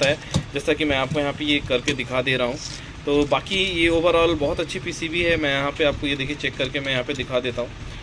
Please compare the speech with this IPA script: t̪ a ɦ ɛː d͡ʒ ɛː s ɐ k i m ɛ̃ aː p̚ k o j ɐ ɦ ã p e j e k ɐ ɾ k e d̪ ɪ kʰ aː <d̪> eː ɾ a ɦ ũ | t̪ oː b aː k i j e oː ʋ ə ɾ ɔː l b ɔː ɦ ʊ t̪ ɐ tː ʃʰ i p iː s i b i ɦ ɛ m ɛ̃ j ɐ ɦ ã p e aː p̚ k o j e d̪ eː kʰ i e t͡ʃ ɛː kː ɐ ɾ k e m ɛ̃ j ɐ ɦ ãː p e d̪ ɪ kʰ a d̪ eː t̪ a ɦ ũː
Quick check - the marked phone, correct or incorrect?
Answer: correct